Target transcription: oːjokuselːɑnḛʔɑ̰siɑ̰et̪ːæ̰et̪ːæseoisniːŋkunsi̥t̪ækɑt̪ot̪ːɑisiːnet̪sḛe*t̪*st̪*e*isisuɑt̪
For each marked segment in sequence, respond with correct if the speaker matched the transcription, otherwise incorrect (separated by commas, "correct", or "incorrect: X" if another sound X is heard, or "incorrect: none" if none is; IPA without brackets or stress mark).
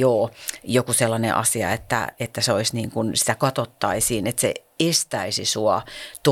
incorrect: none, incorrect: æ